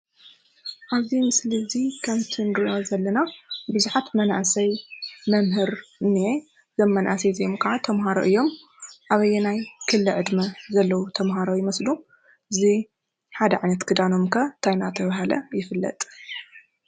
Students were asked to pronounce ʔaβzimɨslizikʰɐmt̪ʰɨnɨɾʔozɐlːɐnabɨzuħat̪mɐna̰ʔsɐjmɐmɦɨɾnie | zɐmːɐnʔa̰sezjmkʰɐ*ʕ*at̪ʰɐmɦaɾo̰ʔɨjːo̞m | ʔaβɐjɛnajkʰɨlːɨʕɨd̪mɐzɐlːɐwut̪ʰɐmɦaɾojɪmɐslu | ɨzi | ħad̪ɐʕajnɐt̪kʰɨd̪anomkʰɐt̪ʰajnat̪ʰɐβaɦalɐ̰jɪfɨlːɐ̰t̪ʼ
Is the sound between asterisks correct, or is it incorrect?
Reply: correct